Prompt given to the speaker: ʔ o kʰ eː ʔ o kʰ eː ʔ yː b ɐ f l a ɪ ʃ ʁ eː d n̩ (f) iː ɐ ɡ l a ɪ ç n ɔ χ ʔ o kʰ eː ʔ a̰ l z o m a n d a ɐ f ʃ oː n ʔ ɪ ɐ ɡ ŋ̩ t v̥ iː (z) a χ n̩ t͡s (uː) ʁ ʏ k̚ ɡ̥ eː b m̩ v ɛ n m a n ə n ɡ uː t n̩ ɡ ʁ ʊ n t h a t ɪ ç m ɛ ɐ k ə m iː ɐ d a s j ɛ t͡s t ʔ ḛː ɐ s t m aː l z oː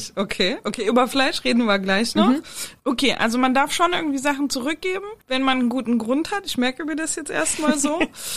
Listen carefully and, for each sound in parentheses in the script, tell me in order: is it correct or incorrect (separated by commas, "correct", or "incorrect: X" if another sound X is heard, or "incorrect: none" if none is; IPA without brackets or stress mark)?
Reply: incorrect: v, correct, incorrect: u